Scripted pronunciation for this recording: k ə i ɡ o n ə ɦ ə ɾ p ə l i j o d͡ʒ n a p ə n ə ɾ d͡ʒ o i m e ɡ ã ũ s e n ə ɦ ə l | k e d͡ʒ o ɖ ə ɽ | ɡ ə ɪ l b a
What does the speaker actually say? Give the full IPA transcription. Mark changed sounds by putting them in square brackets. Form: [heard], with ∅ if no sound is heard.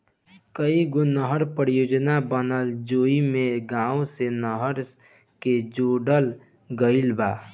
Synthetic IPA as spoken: k ə i ɡ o n ə ɦ ə ɾ p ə [ɾ] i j o d͡ʒ n a [b] ə n ə [l] d͡ʒ o i m e ɡ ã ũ s e n ə ɦ ə [ɾ] | k e d͡ʒ o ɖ ə [l] | ɡ ə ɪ l b a